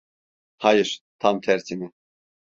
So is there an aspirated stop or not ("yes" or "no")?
yes